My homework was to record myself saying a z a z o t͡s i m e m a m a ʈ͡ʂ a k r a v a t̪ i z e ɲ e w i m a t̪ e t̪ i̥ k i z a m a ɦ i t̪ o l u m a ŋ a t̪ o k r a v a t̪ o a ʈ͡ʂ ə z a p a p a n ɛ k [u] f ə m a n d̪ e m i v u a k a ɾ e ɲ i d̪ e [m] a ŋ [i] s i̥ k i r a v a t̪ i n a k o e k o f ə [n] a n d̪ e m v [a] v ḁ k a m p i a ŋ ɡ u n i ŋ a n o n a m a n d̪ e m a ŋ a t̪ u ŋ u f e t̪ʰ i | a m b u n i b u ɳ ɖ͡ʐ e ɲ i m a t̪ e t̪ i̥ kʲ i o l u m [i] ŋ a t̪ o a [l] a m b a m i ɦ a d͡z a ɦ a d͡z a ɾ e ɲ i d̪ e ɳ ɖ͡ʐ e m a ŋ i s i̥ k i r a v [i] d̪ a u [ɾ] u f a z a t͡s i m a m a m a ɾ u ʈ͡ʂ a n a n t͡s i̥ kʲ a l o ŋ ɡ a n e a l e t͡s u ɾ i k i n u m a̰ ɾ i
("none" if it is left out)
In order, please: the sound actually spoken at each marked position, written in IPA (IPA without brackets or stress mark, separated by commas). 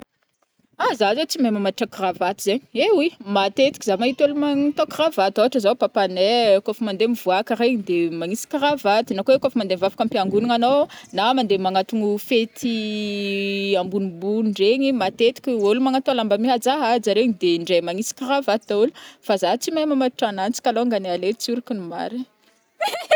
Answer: o, m, i, m, a, a, l, a, l